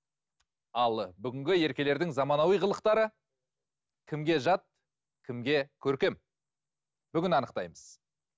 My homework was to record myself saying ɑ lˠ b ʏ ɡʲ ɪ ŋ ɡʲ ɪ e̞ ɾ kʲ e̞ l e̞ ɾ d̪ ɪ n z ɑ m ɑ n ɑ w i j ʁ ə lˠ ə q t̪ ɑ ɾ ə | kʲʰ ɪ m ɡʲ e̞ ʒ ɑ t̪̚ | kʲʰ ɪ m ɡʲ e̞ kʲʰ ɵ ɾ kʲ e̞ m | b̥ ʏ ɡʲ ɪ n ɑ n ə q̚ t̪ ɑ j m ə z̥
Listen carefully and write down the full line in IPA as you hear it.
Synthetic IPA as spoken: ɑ lˠ b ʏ ɡʲ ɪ ŋ ɡʲ ɪ e̞ ɾ kʲ e̞ l e̞ ɾ d̪ ɪ ŋ z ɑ m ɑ n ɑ w i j ʁ ə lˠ ə q t̪ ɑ ɾ ə | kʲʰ ɪ m ɡʲ e̞ ʒ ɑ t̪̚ | kʲʰ ɪ m ɡʲ e̞ kʲʰ ɵ ɾ kʲ e̞ m | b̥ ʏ ɡʲ ɪ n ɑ n ə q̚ t̪ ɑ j m ə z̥